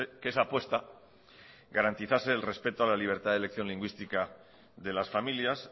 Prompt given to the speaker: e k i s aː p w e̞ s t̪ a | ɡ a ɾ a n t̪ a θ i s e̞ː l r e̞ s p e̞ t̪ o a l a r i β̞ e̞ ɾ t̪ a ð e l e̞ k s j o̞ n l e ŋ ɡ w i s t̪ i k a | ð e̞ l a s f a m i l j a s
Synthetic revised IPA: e k e s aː p w e̞ s t̪ a | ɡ a ɾ a n t̪ i θ a s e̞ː l r e̞ s p e̞ t̪ o a l a l i β̞ e̞ ɾ t̪ a ð e l e̞ k θ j o̞ n l i ŋ ɡ w i s t̪ i k a | ð e̞ l a s f a m i l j a s